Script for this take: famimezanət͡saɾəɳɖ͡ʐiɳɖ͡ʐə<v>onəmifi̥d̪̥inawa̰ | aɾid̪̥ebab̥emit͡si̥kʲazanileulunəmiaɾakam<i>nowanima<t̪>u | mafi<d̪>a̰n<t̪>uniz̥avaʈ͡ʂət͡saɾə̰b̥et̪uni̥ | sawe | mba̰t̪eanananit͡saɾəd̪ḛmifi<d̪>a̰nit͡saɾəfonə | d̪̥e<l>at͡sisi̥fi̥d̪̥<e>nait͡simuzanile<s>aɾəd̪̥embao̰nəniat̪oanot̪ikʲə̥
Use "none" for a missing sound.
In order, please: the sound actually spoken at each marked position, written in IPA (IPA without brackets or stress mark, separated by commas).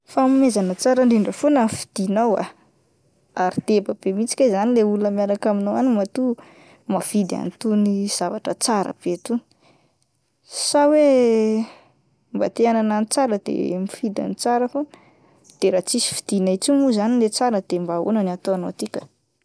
f, i, t̪, d̪, t̪, d̪, ɾ, i, t͡s